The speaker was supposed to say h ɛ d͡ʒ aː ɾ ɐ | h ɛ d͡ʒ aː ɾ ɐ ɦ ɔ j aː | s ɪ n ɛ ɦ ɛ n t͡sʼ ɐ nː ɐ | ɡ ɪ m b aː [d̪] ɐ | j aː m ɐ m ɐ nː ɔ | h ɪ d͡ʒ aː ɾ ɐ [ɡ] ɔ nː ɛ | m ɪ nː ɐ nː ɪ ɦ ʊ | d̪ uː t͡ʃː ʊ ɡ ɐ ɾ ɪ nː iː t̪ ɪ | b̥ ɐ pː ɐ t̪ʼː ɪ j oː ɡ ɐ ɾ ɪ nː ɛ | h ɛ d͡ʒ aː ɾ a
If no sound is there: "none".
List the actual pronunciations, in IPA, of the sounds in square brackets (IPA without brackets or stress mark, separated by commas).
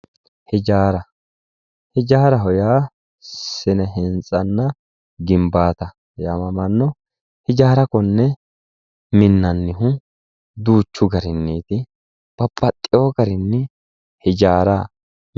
t̪, k